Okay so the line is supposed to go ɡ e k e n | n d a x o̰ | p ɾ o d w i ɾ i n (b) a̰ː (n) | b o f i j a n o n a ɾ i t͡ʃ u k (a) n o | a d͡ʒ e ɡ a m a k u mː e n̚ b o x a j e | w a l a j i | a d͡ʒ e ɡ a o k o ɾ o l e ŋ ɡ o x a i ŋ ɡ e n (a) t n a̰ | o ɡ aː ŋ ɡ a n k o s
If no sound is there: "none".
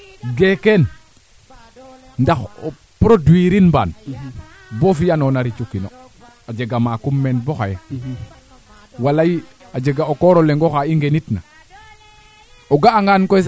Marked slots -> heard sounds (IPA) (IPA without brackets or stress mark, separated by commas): b, n, i, i